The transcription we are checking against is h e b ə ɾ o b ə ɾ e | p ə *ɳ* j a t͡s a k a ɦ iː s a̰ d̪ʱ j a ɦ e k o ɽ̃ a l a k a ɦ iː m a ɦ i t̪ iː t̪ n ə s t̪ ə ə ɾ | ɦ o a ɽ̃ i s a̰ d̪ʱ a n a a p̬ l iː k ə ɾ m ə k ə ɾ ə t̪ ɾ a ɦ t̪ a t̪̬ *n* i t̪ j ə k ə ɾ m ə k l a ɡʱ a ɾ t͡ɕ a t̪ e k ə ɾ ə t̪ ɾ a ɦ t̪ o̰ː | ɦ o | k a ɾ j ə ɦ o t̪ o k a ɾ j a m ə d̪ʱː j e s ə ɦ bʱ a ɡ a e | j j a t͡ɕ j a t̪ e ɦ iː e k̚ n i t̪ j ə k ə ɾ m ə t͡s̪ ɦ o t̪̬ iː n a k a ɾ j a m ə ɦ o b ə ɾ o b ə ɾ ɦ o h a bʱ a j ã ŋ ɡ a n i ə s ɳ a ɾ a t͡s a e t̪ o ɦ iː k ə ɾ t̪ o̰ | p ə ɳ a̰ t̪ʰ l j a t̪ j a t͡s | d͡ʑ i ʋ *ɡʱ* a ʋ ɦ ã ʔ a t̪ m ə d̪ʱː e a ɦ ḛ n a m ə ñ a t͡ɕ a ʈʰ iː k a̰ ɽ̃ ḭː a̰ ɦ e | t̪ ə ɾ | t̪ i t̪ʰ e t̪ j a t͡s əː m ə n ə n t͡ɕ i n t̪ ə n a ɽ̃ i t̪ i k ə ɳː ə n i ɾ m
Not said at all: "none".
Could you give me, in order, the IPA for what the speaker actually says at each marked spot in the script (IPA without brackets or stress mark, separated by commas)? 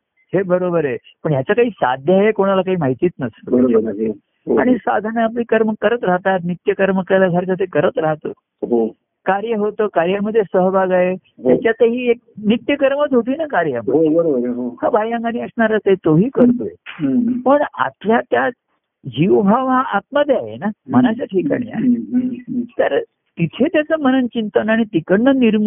ɳ, n, bʱ